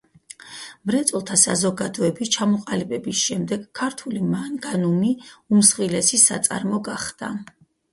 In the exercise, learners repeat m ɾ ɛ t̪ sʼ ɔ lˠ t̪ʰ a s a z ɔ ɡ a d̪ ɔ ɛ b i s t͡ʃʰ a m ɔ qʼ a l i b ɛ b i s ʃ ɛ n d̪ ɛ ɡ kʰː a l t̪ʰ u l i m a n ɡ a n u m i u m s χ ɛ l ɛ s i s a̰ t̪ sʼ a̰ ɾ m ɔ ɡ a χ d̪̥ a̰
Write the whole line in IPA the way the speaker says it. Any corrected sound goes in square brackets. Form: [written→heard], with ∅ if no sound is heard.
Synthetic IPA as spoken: m ɾ ɛ t̪ sʼ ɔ lˠ t̪ʰ a s a z ɔ ɡ a d̪ ɔ ɛ b i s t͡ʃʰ a m ɔ qʼ a l i b ɛ b i s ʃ ɛ [n→m] d̪ ɛ ɡ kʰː a [l→ɾ] t̪ʰ u l i m a n ɡ a n u m i u m s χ [ɛ→i] l ɛ s i s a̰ t̪ sʼ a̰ ɾ m ɔ ɡ a χ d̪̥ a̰